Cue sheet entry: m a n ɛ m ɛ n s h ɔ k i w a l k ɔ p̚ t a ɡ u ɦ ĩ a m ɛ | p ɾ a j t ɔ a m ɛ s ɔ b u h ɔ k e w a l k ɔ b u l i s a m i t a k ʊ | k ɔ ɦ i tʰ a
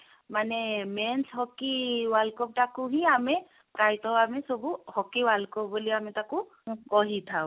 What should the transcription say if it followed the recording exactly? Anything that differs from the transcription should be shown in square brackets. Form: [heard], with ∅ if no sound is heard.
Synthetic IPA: m a n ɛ m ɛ n s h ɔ k i w a l k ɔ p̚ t a [k] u ɦ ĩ a m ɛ | p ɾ a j t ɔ a m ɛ s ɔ b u h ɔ k [i] w a l k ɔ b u l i [∅] a m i t a k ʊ | k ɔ ɦ i tʰ a

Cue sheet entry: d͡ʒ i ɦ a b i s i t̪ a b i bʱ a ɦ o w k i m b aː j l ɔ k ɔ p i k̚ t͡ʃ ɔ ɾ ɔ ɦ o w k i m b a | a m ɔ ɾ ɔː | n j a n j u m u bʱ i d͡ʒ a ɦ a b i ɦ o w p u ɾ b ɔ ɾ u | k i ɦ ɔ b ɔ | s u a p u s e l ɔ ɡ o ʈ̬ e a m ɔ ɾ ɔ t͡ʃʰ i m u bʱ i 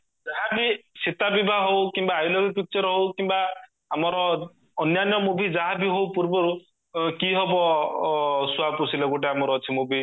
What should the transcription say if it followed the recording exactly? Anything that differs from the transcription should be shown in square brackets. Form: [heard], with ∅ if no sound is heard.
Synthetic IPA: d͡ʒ [a] ɦ a b i s i t̪ a b i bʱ a ɦ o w k i m b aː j l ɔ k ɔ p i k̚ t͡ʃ ɔ ɾ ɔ ɦ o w k i m b a | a m ɔ ɾ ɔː | n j a n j [ɔ] m u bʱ i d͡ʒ a ɦ a b i ɦ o w p u ɾ b ɔ ɾ u | k i ɦ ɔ b ɔ | s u a p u s [i] l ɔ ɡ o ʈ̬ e a m ɔ ɾ ɔ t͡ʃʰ i m u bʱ i

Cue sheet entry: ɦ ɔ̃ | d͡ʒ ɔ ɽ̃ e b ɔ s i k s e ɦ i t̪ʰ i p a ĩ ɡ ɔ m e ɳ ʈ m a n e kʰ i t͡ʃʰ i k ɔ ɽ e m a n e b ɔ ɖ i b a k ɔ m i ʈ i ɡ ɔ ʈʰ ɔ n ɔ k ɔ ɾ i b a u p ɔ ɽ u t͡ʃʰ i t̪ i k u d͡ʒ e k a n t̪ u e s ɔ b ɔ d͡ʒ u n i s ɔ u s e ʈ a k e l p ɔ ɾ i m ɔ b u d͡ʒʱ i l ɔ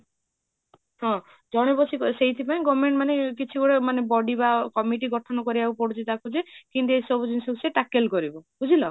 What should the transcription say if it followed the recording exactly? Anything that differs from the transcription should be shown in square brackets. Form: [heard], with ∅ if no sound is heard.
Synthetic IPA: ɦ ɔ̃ | d͡ʒ ɔ ɽ̃ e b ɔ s i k s e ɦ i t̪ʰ i p a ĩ ɡ ɔ m e ɳ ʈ m a n e [k] i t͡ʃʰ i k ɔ ɽ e m a n e b ɔ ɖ i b a k ɔ m i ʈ i ɡ ɔ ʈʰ ɔ n ɔ k ɔ ɾ i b a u p ɔ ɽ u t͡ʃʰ i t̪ [a] k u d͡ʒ e k [i] n t̪ u e s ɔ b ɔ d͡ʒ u n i s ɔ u s e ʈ a k e l [k] ɔ ɾ i [b] ɔ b u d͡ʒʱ i l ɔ

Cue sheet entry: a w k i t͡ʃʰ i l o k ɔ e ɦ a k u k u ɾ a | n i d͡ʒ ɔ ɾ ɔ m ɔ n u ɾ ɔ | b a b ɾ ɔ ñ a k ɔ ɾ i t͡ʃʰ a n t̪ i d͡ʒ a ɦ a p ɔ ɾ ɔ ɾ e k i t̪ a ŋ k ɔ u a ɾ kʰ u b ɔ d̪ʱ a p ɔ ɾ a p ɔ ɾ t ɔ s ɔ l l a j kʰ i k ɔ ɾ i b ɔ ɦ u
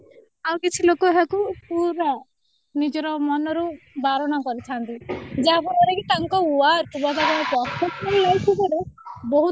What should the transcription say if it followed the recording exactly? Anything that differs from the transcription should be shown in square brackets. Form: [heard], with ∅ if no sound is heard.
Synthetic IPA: a w k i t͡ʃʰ i l o k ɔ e ɦ a k u [p] u ɾ a | n i d͡ʒ ɔ ɾ ɔ m ɔ n [ɔ] ɾ [u] | b a [∅] ɾ ɔ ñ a k ɔ ɾ i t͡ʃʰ a n t̪ i d͡ʒ a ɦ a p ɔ ɾ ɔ ɾ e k i t̪ a ŋ k ɔ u a ɾ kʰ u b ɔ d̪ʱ a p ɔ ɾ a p ɔ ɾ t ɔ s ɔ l l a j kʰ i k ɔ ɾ [e] b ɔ ɦ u

